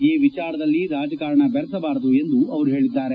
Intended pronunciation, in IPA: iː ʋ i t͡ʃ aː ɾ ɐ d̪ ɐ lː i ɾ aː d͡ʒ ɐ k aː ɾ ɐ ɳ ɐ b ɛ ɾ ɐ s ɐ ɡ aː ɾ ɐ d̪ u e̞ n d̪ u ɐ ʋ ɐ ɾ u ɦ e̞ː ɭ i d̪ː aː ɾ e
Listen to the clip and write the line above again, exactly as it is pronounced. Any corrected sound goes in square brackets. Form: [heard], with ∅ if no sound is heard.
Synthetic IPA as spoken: iː ʋ i t͡ʃ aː ɾ ɐ d̪ ɐ lː i ɾ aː d͡ʒ ɐ k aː ɾ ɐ ɳ ɐ b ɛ ɾ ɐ s ɐ [b] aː ɾ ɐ d̪ u e̞ n d̪ u ɐ ʋ ɐ ɾ u ɦ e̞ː ɭ i d̪ː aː ɾ e